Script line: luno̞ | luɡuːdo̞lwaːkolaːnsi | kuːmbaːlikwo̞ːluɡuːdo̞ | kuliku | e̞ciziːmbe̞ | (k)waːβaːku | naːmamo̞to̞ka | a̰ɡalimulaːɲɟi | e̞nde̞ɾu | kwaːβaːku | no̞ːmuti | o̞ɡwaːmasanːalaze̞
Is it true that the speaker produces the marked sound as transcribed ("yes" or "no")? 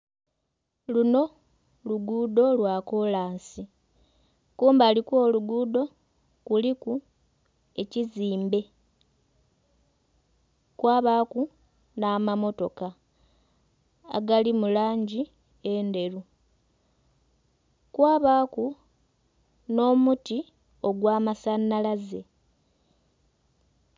yes